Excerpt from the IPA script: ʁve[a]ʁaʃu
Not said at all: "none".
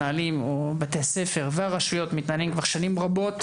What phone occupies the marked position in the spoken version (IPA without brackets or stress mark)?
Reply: a